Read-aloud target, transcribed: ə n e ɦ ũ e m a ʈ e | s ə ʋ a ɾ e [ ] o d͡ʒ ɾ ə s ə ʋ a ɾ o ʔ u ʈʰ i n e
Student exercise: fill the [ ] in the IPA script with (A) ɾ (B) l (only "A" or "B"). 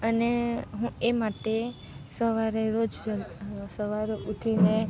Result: A